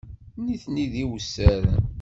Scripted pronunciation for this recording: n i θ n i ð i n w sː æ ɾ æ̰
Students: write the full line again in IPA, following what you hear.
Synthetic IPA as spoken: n i θ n i ð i w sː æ ɾ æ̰